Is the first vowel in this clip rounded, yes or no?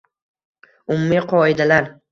yes